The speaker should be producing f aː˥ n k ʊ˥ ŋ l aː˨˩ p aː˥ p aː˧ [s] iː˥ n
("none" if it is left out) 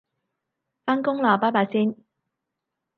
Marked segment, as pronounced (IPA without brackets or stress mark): s